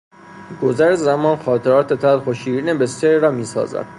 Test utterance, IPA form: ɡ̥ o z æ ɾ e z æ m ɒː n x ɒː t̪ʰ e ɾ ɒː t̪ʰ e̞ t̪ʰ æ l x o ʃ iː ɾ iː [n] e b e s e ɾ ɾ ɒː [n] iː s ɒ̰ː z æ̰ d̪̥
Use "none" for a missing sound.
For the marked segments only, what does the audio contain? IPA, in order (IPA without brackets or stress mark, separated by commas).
n, m